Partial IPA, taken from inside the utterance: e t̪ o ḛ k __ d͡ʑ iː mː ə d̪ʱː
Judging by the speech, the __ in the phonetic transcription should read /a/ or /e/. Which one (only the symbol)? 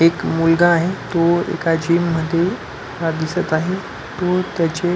a